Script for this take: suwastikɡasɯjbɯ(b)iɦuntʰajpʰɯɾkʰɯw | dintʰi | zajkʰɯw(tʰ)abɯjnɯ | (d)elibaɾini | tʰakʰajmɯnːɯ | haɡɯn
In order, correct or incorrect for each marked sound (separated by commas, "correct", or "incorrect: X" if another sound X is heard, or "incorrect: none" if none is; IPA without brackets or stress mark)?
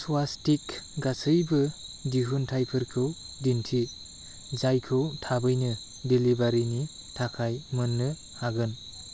incorrect: d, correct, correct